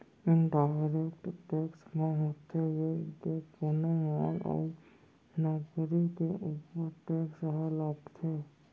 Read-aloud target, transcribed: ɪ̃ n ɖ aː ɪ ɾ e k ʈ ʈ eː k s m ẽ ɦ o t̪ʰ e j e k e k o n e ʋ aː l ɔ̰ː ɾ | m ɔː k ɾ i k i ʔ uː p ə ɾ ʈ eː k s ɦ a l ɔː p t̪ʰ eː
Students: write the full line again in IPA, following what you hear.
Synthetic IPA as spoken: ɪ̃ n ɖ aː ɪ ɾ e k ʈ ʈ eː k s m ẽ ɦ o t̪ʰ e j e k e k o n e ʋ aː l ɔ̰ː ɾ | n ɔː k ɾ i k e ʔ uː p ə ɾ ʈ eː k s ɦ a l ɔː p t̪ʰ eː